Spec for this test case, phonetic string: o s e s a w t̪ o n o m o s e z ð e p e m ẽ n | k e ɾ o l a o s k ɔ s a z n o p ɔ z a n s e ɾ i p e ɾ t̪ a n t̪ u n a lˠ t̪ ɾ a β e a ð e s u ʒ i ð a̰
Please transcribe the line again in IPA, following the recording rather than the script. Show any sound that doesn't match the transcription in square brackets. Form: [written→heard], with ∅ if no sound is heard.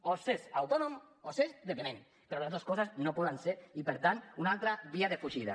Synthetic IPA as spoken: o s e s a w t̪ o n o m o s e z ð e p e m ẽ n | [k→p] e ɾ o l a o s k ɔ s a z n o p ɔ [z→ð] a n s e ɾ i p e ɾ t̪ a n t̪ u n a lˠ t̪ ɾ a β [e→i] a ð e [s→f] u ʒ i ð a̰

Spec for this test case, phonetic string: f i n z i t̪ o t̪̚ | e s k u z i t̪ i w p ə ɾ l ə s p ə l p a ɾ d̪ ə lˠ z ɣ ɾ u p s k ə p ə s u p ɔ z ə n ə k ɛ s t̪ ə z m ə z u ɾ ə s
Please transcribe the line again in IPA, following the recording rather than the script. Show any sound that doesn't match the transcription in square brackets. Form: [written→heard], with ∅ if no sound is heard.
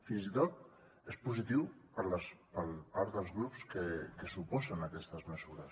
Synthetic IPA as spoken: f i n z i t̪ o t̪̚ | e s [k→p] u z i t̪ i w p ə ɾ l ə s p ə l p a ɾ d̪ ə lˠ z ɣ ɾ u p s k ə [p→k] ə s u p ɔ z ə n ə k ɛ s t̪ ə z m ə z u ɾ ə s

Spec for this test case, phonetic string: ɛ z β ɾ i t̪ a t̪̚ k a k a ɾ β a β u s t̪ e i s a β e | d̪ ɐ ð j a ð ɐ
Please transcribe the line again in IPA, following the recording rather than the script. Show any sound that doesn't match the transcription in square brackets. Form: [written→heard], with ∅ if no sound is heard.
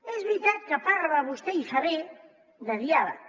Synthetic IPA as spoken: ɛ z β ɾ i t̪ a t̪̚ k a [k→p] a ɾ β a β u s t̪ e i s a β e | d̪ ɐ ð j a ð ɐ

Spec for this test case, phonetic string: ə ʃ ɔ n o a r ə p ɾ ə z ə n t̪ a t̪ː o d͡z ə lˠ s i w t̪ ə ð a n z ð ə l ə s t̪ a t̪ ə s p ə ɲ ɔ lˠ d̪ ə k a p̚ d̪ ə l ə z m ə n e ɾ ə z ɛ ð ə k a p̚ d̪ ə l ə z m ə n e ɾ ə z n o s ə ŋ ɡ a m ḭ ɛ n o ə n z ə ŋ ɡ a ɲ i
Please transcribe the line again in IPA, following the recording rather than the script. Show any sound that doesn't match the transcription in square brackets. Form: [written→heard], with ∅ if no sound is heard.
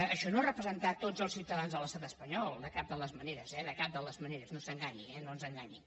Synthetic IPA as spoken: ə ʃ ɔ n o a r ə p ɾ ə z ə n t̪ a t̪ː o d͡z ə lˠ s i w t̪ ə ð a n z ð ə l ə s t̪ a t̪ ə s p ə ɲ ɔ lˠ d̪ ə k a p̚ d̪ ə l ə z m ə n e ɾ ə z ɛ ð ə k a p̚ d̪ ə l ə z m ə n e ɾ ə z n o s ə ŋ ɡ a [m→ɲ] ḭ ɛ n o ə n z ə ŋ ɡ a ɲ i

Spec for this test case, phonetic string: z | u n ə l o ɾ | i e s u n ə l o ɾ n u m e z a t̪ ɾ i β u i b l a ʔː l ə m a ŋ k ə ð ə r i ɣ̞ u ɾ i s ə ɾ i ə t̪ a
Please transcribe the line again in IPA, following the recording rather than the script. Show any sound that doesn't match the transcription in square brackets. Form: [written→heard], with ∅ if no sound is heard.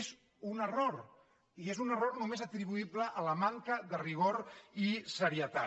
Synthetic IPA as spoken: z | u n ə [l→r] o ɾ | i e [s→z] u n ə [l→r] o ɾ n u m e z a t̪ ɾ i β u i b l [a→ə] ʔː l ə m a ŋ k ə ð ə r i ɣ̞ [u→o] ɾ i s ə ɾ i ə t̪ a

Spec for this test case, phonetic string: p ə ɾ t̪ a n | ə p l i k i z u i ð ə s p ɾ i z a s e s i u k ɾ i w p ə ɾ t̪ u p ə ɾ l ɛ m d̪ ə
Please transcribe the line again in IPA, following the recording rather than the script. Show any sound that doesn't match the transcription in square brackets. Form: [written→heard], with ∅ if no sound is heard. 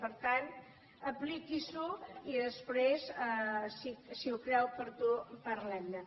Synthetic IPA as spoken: p ə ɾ t̪ a n | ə p l i k i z u i ð ə s p ɾ [i→e] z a s [e→i] s i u k ɾ [i→ɛ] w p ə ɾ t̪ u p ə ɾ l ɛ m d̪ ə

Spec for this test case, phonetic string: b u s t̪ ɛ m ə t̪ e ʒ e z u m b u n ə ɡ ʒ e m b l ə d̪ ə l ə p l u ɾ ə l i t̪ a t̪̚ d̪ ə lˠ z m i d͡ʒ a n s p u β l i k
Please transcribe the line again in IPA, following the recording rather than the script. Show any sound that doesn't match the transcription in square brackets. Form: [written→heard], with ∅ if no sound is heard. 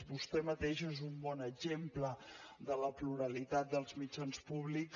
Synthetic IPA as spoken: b u s t̪ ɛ m ə t̪ e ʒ e z u m b [u→ɔ] n ə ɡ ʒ e m [b→p] l ə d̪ ə l ə p l u ɾ ə l i t̪ a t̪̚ d̪ ə lˠ z m i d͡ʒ a n s p u β l i k

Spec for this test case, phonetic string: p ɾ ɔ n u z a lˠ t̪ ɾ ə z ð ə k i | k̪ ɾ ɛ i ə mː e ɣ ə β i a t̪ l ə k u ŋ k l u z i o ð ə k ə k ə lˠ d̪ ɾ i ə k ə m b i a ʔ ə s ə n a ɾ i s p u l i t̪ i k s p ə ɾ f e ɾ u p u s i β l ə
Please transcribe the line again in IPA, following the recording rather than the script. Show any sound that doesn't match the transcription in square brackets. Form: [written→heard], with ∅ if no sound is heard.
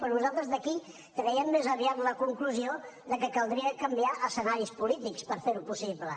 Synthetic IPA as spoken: p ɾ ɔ n u z a lˠ t̪ ɾ ə z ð ə k i | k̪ ɾ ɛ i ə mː e [ɣ→z] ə β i a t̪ l ə k u ŋ k l u z i o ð ə k ə k ə lˠ d̪ ɾ i ə k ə m b i a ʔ ə s ə n a ɾ i s p u l i t̪ i k s p ə ɾ f e ɾ u p u s i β l ə

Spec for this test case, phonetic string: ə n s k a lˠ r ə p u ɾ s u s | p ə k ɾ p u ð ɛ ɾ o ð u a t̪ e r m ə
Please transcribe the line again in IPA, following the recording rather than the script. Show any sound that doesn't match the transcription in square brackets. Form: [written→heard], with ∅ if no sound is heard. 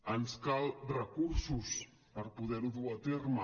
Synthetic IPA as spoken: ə n s k a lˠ r ə [p→k] u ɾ s u s | p ə [k→∅] ɾ p u ð ɛ ɾ [o→u] ð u a t̪ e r m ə

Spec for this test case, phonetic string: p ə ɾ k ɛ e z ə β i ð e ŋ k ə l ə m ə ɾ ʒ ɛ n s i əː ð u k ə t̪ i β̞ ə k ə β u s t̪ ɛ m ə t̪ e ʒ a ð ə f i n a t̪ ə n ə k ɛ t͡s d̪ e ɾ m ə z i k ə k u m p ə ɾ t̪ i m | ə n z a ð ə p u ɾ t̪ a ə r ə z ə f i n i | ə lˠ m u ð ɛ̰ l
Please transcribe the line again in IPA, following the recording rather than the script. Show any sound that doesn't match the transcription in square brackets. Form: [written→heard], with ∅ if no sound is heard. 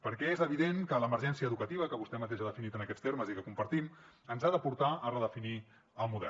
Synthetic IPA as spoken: p ə ɾ k ɛ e z ə β i ð e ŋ k ə l ə m ə ɾ ʒ ɛ n s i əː ð u k ə t̪ i β̞ ə k ə β u s t̪ ɛ m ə t̪ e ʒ a ð ə f i n [a→i] t̪ ə n ə k ɛ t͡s [d̪→t̪] e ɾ m ə z i k ə k u m p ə ɾ t̪ i m | ə n z a ð ə p u ɾ t̪ a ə r ə [z→ð] ə f i n i | ə lˠ m u ð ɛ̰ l

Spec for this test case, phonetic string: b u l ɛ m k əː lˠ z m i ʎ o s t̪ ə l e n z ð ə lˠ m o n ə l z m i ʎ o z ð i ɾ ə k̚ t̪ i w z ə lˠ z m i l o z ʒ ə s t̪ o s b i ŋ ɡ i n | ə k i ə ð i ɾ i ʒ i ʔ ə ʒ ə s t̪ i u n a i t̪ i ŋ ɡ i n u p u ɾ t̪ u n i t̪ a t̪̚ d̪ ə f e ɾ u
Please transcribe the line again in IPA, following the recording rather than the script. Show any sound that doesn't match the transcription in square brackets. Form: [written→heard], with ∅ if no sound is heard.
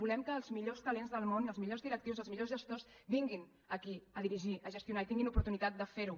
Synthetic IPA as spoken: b u l ɛ m k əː lˠ z m i ʎ o s t̪ ə l e n z ð ə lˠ m o n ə l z m i ʎ o z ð i ɾ ə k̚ t̪ i w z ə lˠ z m i [l→ʎ] o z ʒ ə s t̪ o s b i ŋ ɡ i n | ə k i ə ð i ɾ i ʒ i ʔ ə ʒ ə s t̪ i u n a i t̪ i ŋ ɡ i n u p u ɾ t̪ u n i t̪ a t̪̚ d̪ ə f e ɾ u

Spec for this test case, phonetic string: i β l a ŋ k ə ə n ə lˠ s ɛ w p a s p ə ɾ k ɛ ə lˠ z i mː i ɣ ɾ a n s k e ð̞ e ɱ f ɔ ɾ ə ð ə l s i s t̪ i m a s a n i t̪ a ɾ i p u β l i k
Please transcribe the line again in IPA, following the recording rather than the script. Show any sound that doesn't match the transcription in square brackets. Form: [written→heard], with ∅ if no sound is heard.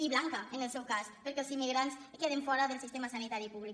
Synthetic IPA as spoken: i β l a ŋ k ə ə n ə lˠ s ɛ w [p→k] a s p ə ɾ k ɛ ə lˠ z i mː i ɣ ɾ a n s k e ð̞ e ɱ f ɔ ɾ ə ð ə l s i s t̪ [i→e] m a s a n i t̪ a ɾ i p u β l i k

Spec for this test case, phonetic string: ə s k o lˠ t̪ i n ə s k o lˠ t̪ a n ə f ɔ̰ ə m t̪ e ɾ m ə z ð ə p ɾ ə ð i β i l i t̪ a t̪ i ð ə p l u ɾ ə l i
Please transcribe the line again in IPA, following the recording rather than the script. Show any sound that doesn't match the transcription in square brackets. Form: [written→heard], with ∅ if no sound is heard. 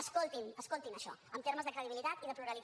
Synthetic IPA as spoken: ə s k o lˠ t̪ i n ə s k o lˠ t̪ [a→i] n ə [f→ʃ] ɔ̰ ə m t̪ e ɾ m ə z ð ə [p→k] ɾ ə ð i β i l i t̪ a t̪ i ð ə p l u ɾ ə l i

